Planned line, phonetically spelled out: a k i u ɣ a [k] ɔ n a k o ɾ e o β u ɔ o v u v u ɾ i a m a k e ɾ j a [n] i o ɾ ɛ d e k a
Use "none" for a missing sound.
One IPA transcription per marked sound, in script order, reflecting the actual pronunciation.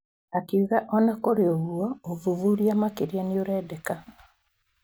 ʔ, n

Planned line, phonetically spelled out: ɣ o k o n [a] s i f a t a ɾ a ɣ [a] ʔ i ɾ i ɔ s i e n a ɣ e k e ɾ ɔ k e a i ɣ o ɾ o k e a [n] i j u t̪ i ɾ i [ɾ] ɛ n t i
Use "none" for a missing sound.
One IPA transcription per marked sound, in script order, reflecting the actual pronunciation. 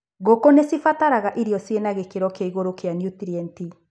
e, a, n, none

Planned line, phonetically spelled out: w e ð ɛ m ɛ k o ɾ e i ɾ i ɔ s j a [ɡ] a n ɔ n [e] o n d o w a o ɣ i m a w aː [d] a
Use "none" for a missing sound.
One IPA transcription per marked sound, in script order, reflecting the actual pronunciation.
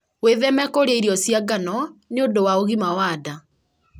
ɡ, e, d

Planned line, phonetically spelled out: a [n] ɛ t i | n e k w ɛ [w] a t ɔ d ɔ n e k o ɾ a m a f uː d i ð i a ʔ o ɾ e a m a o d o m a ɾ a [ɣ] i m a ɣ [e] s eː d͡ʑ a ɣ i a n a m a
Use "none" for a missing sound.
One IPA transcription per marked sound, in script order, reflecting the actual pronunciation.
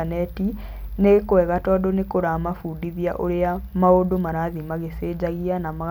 n, ɣ, ð, e

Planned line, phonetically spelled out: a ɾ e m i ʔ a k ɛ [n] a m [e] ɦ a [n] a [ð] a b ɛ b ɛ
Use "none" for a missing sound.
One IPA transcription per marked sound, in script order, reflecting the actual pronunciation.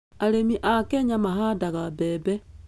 ɲ, a, d, ɣ

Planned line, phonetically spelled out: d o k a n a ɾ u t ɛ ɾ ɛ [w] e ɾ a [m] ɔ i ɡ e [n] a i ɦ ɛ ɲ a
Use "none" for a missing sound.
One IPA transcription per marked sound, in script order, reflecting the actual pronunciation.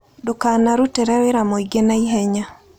w, m, n

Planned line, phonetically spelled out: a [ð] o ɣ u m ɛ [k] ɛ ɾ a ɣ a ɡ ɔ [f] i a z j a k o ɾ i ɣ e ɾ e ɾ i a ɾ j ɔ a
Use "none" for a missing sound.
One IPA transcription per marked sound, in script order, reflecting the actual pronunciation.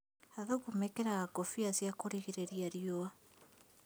ð, k, f

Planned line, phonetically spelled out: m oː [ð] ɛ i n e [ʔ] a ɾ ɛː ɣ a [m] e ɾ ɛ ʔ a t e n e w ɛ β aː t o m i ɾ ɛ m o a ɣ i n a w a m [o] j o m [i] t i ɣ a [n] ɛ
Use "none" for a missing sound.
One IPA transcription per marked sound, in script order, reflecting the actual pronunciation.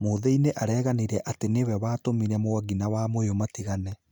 ð, ʔ, n, o, a, n

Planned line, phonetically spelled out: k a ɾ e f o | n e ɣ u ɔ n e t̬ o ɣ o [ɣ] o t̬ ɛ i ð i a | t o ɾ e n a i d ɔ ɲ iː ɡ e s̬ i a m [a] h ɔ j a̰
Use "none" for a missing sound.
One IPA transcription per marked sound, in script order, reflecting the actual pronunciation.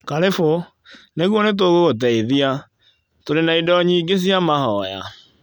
ɣ, a

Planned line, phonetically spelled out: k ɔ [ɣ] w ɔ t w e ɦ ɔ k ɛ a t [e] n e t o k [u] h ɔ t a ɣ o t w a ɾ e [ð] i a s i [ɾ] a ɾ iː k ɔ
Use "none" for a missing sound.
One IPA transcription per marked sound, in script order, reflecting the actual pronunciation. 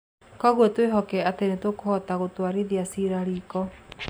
ɣ, e, o, ð, ɾ

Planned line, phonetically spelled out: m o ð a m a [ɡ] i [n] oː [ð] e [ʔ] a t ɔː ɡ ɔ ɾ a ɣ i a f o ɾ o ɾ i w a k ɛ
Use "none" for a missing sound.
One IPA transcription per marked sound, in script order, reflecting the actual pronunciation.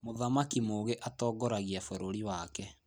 k, m, ɣ, ʔ

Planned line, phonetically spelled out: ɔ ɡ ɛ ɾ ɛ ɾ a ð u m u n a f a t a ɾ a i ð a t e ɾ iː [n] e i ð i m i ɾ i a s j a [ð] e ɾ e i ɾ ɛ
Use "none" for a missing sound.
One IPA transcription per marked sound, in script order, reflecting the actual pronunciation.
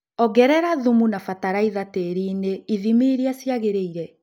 n, ɣ

